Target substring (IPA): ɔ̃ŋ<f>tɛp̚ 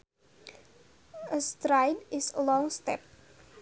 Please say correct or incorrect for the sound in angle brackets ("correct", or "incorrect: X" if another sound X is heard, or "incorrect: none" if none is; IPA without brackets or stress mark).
incorrect: s